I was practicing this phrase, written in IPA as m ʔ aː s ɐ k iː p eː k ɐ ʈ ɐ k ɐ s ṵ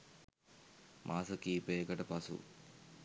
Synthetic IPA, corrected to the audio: m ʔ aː s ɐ k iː p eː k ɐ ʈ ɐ p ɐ s ṵ